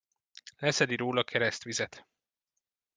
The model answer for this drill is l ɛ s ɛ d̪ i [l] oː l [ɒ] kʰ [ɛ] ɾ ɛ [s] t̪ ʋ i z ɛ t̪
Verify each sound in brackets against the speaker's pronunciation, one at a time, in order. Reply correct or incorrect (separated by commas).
incorrect, correct, correct, correct